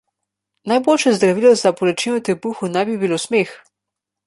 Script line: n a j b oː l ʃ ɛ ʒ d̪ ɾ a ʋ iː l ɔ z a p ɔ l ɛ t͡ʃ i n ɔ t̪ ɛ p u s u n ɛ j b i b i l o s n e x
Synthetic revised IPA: n a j b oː l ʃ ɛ z d̪ ɾ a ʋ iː l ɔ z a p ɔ l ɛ t͡ʃ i n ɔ t̪ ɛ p u x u n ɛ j b i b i l o s m e x